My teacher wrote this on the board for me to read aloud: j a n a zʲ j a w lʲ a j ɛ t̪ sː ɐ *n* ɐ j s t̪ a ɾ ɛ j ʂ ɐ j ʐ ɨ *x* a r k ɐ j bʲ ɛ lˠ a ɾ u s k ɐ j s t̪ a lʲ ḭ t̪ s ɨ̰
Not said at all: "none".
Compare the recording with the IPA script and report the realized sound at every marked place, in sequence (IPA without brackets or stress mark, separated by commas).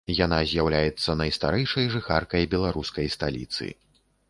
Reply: n, x